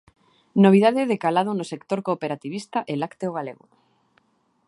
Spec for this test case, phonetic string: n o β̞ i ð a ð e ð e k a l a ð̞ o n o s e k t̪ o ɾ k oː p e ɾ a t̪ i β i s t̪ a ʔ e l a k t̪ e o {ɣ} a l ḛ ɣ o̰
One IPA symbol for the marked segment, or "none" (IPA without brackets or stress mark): ɣ